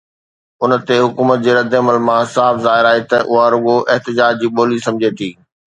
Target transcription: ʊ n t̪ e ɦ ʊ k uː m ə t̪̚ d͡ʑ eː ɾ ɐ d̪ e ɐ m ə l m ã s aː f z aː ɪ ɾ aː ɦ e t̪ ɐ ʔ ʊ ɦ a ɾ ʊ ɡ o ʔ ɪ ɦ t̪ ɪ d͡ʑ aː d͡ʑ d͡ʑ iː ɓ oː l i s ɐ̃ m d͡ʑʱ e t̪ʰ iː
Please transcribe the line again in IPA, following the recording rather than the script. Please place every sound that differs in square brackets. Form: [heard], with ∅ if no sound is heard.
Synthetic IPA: ʊ n t̪ e ɦ ʊ k uː m ə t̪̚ d͡ʑ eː ɾ ɐ d̪ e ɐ m ə l m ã s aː f z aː ɪ ɾ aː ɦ e t̪ ɐ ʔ ʊ ɦ a ɾ ʊ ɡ o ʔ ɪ ɦ t̪ ɪ d͡ʑ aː d͡ʑ d͡ʑ iː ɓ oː l i s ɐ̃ m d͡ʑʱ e t̪ʰ iː